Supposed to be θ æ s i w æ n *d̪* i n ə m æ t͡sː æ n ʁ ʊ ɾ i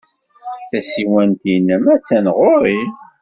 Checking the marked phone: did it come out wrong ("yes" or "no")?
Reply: yes